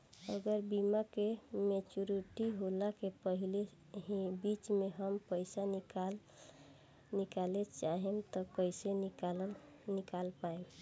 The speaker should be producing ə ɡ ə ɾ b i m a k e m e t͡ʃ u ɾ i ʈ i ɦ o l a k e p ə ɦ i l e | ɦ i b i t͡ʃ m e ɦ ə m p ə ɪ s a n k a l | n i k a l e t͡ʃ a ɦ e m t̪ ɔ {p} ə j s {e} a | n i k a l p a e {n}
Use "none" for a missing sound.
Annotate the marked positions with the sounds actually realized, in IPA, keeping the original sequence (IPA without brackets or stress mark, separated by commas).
k, e, m